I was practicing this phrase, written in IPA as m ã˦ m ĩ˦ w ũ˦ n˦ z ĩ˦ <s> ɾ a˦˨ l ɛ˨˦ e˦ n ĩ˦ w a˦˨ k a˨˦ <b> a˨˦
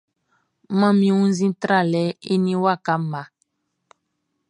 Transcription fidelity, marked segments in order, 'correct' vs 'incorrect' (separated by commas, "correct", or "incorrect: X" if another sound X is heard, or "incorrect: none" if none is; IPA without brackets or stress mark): incorrect: t, incorrect: m